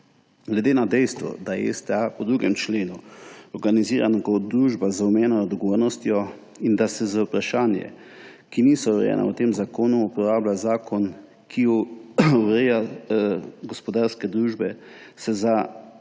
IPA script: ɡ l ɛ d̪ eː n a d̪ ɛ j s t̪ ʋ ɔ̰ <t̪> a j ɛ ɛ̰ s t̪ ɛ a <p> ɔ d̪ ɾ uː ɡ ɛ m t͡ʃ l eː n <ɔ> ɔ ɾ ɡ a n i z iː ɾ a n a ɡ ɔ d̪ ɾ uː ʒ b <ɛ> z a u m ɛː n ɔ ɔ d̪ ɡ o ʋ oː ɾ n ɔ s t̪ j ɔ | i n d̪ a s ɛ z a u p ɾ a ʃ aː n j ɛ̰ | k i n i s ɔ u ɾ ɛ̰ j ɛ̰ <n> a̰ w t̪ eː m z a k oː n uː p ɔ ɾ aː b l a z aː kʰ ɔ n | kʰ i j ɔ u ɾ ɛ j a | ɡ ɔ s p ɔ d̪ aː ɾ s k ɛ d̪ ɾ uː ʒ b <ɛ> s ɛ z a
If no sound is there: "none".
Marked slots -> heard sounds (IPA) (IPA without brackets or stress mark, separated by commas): d̪, p, u, a, n, ɛ